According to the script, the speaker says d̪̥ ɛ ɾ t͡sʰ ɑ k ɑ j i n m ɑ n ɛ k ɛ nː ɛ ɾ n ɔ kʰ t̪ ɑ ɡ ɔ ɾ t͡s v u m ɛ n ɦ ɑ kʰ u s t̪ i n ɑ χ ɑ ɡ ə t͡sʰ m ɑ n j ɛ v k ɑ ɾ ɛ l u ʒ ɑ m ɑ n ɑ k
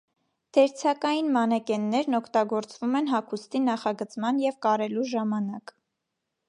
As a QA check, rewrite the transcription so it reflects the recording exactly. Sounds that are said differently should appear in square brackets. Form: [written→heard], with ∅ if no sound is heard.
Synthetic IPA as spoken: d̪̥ ɛ ɾ t͡sʰ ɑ k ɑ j i n m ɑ n ɛ k ɛ nː ɛ ɾ n ɔ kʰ t̪ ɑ ɡ ɔ ɾ t͡s v u m ɛ n ɦ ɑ kʰ u s t̪ i n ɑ χ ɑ ɡ ə [t͡sʰ→t͡s] m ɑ n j ɛ v k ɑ ɾ ɛ l u ʒ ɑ m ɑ n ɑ k